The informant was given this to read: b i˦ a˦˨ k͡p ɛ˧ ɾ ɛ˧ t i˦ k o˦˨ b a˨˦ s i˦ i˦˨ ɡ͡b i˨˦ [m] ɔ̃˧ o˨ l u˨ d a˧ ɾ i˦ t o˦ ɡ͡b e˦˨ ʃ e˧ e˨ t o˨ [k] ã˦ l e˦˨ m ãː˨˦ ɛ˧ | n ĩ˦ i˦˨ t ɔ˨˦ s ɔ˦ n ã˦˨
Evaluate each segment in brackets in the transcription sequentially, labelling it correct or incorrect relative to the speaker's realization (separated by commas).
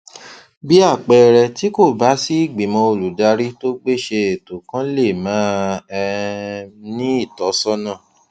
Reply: correct, correct